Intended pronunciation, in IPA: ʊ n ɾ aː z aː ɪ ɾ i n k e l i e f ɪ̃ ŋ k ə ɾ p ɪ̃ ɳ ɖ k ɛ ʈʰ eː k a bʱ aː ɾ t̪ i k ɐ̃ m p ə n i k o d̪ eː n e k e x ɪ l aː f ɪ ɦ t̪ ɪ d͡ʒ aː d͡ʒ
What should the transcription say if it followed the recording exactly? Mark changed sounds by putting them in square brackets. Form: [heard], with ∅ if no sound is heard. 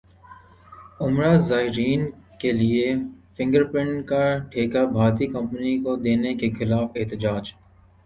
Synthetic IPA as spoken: ʊ [m] ɾ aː z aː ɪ ɾ [iː] n k e l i e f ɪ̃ ŋ [ɡ] ə ɾ p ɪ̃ ɳ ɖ k [a] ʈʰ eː k a bʱ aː ɾ t̪ i k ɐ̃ m p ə n i k o d̪ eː n e k e x ɪ l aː f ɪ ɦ t̪ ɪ d͡ʒ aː d͡ʒ